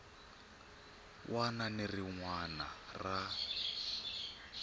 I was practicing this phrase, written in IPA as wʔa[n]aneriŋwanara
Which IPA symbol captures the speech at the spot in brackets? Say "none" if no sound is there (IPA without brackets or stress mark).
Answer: n